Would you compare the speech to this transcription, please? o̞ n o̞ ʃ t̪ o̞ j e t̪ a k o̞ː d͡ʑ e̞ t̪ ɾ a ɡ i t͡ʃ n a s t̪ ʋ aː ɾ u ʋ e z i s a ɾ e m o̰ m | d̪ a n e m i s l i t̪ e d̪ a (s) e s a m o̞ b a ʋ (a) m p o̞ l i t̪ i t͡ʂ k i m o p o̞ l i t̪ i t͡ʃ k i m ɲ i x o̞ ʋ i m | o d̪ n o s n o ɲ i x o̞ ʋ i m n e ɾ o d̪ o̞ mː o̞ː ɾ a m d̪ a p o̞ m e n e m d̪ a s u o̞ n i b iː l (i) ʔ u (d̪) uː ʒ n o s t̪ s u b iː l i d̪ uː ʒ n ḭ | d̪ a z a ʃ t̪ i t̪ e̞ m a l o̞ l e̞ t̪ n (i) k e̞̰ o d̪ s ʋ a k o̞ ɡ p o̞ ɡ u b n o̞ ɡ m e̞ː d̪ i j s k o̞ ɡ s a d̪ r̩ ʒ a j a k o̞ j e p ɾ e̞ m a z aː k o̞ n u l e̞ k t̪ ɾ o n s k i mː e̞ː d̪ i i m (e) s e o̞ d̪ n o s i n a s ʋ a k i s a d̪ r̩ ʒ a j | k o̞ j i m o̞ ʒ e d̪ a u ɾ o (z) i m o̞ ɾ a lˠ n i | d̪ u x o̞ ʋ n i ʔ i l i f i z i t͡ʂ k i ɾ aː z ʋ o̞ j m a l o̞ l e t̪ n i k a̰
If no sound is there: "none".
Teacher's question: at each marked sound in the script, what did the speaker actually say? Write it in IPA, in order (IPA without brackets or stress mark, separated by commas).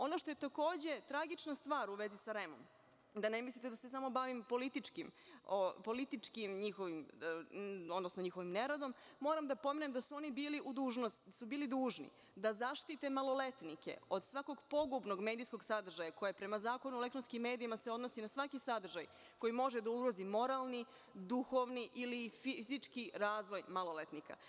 s, i, i, d̪, i, a, z